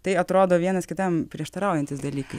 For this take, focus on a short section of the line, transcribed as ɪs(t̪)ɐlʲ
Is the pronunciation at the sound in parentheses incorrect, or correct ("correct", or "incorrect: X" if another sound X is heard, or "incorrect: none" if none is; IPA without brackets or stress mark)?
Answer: incorrect: d̪